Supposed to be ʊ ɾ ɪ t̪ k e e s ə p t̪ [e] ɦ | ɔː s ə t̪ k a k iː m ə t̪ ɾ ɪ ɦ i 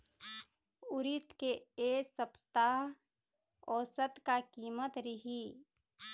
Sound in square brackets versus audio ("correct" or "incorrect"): incorrect